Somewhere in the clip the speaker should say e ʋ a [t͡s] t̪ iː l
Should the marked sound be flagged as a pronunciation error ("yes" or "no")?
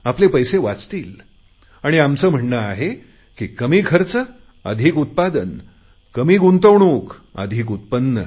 no